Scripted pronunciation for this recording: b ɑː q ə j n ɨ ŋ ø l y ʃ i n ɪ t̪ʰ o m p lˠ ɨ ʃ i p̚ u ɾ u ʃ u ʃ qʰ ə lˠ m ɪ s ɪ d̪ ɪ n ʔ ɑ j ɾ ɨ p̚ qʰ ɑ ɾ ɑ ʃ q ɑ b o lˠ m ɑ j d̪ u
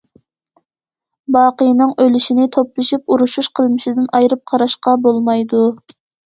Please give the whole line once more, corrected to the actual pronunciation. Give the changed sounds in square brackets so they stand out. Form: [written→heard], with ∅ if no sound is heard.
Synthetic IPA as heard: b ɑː q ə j n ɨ ŋ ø l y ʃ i n ɪ t̪ʰ o [m→∅] p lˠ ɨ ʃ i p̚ u ɾ u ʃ u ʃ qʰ ə lˠ m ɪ [s→ʃ] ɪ d̪ ɪ n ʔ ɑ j ɾ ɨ p̚ qʰ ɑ ɾ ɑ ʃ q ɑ b o lˠ m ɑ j d̪ u